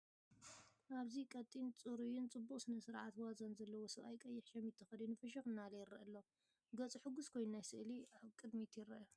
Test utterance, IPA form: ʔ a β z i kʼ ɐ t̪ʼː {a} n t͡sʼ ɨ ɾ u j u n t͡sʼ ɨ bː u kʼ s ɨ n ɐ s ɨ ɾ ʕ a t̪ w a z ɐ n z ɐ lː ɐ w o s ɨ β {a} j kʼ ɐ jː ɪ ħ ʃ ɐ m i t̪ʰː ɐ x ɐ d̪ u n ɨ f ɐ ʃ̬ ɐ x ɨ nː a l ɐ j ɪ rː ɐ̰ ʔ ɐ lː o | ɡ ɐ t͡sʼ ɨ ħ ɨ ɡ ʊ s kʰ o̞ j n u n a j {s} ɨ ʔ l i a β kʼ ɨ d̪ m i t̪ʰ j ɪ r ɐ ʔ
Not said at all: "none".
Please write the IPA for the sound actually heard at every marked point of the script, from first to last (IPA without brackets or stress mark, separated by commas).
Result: i, a, s